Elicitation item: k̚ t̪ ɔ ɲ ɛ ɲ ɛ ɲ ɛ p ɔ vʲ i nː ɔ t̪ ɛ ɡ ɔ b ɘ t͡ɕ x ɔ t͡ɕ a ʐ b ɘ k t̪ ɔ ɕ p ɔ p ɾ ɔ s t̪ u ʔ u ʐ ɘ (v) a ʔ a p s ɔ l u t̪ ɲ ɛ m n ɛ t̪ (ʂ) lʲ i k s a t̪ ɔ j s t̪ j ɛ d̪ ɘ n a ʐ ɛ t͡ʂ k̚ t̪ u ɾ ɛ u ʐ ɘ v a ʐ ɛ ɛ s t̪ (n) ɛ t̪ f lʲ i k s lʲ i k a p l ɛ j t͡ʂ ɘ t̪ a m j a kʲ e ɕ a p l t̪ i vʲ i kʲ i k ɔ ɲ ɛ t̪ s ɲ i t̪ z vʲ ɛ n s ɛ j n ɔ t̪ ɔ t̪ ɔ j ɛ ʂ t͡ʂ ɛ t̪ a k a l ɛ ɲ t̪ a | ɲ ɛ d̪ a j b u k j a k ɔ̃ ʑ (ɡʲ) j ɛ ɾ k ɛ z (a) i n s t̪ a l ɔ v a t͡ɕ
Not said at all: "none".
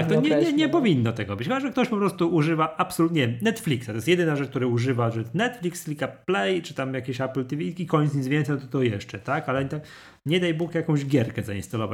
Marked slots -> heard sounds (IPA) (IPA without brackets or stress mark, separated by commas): v, f, n, ɡʲ, a